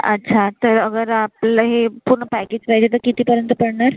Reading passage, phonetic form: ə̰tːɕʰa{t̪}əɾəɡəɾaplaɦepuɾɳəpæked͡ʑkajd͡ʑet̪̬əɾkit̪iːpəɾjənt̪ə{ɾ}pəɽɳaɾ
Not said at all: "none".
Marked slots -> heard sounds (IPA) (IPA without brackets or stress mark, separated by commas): t̪, none